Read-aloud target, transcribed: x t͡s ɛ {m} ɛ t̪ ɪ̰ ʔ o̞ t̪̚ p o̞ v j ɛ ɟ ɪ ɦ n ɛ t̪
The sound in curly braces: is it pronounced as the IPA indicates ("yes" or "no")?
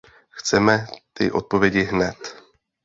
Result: yes